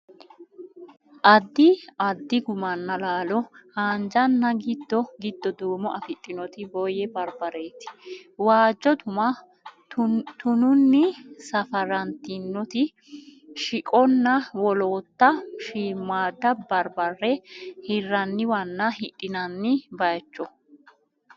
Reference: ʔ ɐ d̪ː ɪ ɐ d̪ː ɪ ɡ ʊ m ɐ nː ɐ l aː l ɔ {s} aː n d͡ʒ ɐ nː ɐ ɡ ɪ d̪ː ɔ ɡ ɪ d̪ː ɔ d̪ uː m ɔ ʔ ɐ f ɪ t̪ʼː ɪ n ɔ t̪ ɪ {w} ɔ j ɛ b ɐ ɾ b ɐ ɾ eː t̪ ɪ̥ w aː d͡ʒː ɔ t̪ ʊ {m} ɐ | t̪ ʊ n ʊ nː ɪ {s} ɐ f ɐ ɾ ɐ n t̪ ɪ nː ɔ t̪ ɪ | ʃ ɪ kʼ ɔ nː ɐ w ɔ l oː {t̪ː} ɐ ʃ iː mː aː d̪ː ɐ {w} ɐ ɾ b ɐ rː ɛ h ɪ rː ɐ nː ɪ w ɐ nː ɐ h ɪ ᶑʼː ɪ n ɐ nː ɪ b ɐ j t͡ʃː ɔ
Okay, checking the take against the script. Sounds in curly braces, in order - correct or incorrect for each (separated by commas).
incorrect, incorrect, correct, correct, correct, incorrect